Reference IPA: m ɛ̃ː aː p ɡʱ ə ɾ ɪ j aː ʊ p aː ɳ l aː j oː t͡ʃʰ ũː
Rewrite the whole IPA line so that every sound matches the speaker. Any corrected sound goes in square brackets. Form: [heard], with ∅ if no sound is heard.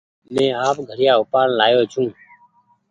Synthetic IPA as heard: m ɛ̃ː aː p ɡʱ ə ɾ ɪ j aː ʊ p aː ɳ l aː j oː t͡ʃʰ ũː